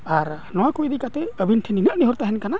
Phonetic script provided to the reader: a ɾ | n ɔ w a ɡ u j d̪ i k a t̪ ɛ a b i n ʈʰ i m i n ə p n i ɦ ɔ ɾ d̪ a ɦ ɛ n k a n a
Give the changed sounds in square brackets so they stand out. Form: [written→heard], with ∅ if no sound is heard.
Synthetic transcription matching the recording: a ɾ | n ɔ w a [ɡ→k] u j d̪ i k a t̪ ɛ [a→ə] b i n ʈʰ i [m→n] i n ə [p→ʔ] n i ɦ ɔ ɾ [d̪→t̪] a ɦ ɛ n k a n a